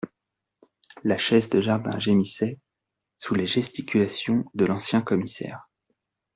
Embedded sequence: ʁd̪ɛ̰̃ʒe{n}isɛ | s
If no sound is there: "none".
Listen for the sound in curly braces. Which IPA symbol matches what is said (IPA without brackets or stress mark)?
m